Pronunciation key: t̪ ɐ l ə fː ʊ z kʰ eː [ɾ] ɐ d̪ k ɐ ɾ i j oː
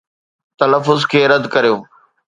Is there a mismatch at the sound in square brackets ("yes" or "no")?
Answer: no